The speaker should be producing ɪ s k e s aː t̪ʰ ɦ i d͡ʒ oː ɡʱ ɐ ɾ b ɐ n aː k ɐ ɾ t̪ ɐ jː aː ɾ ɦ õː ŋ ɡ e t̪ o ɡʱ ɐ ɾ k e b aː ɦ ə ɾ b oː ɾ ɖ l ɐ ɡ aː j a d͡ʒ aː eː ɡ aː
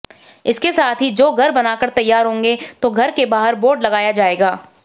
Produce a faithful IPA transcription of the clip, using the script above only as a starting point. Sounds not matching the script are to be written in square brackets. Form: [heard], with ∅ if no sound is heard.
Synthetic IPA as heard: ɪ s k e s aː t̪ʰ ɦ i d͡ʒ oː ɡʱ ɐ ɾ b ɐ n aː k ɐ ɾ t̪ ɐ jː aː ɾ ɦ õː ŋ ɡ e t̪ o ɡʱ ɐ ɾ k e b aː ɦ ə ɾ b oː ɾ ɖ l ɐ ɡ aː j a d͡ʒ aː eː ɡ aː